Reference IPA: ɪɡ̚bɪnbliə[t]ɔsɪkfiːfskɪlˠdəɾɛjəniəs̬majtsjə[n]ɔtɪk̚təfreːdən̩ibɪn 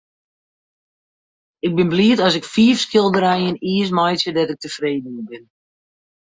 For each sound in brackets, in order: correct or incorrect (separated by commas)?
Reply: correct, incorrect